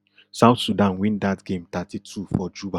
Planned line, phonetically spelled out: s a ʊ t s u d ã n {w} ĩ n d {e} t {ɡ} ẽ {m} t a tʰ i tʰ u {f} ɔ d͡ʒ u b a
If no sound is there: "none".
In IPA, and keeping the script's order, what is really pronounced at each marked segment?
w, a, ɡ, m, f

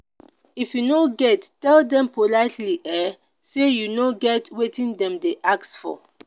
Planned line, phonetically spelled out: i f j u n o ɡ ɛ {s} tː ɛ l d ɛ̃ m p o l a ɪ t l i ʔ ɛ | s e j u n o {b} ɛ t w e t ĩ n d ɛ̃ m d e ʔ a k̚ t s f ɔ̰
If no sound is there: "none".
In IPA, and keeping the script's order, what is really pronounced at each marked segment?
t, ɡ

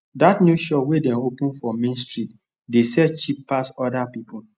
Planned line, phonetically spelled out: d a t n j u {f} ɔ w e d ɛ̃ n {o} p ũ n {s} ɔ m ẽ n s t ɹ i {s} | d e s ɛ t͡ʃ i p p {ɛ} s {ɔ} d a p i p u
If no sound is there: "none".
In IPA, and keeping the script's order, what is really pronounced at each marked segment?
ʃ, o, f, t, a, ɔ

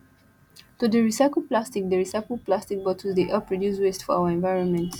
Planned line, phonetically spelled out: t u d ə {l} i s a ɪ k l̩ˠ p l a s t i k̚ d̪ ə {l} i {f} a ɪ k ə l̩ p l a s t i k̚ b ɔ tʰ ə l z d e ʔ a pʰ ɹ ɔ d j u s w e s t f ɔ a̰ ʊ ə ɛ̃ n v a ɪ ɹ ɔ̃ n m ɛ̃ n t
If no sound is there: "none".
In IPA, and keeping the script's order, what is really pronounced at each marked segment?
ɹ, ɹ, s

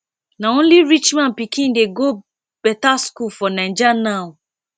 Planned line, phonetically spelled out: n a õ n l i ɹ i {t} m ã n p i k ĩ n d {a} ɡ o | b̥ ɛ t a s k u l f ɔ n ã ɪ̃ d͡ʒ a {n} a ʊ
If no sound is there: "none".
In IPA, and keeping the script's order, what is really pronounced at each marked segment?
t͡ʃ, e, n

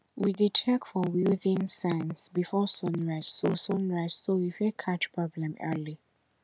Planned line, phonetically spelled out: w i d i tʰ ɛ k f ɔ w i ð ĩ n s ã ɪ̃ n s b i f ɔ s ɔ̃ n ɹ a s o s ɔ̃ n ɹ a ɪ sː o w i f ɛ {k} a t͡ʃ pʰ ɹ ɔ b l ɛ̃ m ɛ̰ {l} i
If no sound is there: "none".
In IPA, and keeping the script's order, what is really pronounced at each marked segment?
kʰ, l

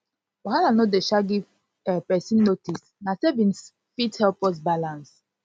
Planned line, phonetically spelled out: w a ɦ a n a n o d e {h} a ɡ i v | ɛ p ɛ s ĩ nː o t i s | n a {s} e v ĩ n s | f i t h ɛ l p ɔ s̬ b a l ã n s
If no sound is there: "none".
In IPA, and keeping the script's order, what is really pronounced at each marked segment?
ʃ, s

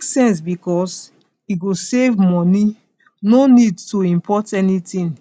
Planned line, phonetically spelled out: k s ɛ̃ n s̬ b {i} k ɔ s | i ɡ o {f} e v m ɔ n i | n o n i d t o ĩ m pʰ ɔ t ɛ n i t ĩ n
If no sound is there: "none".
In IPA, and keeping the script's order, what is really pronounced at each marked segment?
i, s

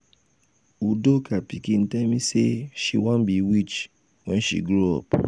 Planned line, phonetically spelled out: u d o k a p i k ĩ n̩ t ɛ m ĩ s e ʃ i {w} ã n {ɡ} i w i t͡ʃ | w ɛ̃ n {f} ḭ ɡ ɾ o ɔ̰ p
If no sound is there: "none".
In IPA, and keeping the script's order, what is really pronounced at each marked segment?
w, b, ʃ

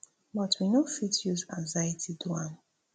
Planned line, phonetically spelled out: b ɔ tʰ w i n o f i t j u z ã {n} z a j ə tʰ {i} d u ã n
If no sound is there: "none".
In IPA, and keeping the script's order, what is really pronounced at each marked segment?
ŋ, i

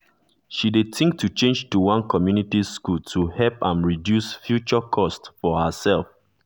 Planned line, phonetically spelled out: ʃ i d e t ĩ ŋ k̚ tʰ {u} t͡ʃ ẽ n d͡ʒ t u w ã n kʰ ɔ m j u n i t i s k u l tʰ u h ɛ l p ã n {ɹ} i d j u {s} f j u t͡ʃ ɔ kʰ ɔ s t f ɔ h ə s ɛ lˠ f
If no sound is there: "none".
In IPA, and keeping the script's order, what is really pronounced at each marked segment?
u, ɹ, s

